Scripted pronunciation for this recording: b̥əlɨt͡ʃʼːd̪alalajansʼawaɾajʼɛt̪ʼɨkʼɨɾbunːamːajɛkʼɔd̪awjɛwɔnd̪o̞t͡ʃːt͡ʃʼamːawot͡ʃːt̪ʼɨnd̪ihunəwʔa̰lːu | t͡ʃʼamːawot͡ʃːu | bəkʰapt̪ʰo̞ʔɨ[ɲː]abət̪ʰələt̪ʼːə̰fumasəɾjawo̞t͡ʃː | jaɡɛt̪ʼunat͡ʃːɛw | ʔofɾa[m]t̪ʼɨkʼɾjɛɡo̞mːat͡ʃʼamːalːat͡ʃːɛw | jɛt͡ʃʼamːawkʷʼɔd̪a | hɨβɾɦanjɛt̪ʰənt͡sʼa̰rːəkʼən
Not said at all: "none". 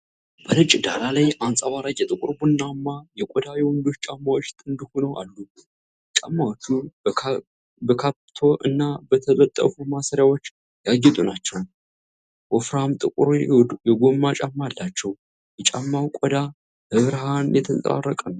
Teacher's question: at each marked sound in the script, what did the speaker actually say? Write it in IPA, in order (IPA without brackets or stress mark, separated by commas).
nː, m